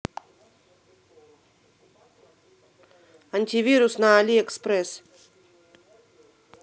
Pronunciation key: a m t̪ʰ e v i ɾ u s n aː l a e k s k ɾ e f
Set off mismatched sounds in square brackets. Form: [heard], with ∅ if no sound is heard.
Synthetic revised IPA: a [n] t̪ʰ [i] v i ɾ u s n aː l [i] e k s [p] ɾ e [s]